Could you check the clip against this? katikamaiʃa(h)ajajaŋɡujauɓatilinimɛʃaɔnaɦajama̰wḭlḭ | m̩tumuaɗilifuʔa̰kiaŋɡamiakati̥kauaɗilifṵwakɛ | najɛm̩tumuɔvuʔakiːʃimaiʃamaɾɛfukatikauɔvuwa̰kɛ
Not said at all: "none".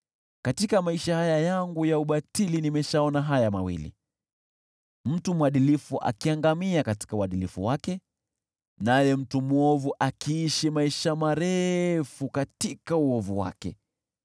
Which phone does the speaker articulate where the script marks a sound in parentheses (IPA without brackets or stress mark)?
h